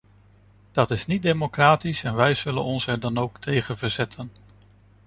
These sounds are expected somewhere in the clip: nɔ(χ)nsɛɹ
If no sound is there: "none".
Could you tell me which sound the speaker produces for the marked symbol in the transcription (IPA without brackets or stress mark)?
none